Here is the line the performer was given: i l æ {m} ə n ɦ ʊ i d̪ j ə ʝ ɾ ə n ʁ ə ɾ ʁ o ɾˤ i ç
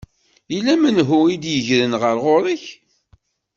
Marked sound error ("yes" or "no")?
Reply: no